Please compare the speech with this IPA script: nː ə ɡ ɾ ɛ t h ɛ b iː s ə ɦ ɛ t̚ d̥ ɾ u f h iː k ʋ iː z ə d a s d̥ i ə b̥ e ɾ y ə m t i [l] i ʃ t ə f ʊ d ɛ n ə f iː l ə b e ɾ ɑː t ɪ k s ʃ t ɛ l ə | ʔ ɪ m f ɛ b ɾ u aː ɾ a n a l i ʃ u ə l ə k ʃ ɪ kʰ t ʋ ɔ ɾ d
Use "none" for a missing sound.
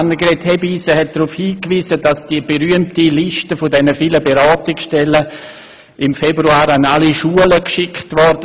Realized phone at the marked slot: l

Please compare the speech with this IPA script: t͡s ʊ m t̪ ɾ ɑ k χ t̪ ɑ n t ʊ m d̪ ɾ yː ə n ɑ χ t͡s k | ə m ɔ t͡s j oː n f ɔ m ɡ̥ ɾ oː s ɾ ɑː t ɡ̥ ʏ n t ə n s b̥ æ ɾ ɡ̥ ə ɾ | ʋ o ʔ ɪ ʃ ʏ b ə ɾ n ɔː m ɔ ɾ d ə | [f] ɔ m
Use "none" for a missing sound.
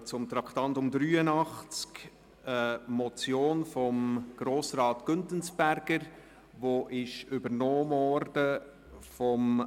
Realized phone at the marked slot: f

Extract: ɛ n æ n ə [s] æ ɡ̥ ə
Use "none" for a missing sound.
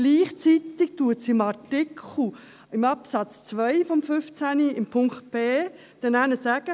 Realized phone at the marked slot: s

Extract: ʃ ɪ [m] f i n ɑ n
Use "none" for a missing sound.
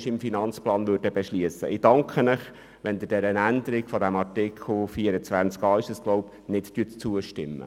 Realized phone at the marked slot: m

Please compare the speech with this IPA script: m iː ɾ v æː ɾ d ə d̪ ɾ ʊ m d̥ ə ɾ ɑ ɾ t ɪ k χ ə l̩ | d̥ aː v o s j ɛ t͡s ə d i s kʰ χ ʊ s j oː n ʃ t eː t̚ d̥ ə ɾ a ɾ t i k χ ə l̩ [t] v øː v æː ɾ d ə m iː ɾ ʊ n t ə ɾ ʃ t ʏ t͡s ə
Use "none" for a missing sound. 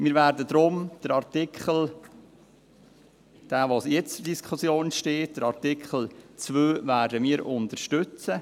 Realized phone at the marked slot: t͡s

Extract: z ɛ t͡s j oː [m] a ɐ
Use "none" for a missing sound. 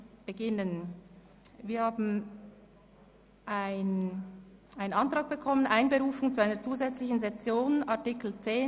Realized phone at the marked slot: n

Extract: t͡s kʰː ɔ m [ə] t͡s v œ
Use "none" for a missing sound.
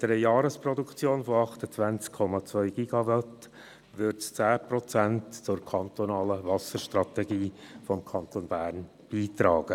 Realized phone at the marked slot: ɑ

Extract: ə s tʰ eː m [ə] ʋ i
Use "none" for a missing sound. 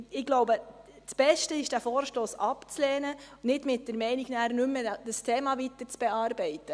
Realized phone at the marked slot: ɑ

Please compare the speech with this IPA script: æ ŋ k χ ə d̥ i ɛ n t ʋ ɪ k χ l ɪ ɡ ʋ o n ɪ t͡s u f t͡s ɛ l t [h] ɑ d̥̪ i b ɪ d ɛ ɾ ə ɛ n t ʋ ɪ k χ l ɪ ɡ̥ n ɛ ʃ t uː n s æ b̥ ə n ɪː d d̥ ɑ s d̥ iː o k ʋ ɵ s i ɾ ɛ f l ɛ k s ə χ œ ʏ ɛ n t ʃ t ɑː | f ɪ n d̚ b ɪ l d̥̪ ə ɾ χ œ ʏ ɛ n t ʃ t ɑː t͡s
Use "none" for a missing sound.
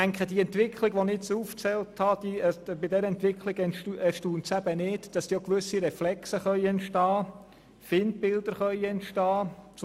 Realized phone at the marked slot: h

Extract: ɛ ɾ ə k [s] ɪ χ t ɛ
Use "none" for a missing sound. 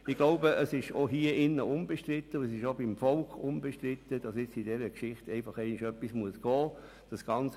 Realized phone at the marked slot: ʃ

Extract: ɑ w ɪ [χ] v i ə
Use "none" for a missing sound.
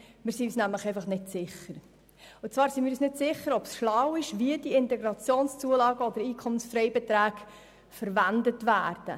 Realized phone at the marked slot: ʃ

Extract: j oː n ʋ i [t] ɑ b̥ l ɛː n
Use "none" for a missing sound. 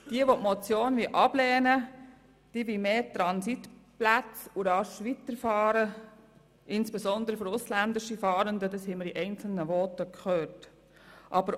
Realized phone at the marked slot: ʔ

